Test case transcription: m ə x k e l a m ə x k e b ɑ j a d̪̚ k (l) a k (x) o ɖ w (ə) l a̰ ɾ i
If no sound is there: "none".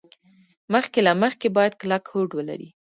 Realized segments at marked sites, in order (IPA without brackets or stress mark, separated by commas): l, h, ə